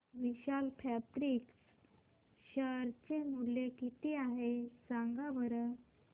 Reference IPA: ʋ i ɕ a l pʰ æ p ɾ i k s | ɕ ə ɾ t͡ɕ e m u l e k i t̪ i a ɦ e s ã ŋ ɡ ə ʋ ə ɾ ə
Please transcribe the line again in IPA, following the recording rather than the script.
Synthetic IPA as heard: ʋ i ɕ a l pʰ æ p ɾ i k s | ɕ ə ɾ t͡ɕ e m u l e k i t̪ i a ɦ e s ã ŋ ɡ a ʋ ə ɾ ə